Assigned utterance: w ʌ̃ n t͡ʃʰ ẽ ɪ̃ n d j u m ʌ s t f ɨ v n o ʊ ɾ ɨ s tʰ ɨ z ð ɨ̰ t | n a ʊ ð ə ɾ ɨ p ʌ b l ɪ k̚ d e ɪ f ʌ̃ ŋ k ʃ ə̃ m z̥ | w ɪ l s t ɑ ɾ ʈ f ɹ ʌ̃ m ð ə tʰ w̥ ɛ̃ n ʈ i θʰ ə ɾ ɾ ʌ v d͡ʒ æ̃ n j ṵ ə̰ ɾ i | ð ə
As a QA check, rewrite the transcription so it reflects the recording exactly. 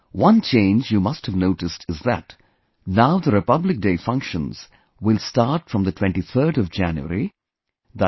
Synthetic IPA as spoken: w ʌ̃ n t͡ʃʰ ẽ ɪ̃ n d͡ʒ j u m ʌ s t h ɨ v n o ʊ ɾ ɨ s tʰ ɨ z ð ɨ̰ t | n a ʊ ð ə ɾ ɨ p ʌ b l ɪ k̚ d e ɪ f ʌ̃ ŋ k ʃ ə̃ n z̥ | w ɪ l s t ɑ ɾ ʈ f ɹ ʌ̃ m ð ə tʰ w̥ ɛ̃ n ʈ i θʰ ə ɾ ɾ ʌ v d͡ʒ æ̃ n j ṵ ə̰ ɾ i | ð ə